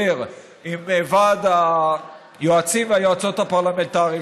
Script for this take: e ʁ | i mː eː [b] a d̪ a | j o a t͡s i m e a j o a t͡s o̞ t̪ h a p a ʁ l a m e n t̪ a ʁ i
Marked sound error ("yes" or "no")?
yes